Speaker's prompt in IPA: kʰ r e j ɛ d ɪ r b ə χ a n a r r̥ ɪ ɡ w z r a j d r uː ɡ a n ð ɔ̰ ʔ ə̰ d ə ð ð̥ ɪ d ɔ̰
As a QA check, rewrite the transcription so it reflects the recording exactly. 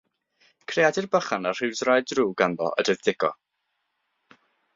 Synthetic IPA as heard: kʰ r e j a d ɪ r b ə χ a n a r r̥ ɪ w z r a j d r uː ɡ a n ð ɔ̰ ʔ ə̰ d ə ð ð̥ ɪ ɡ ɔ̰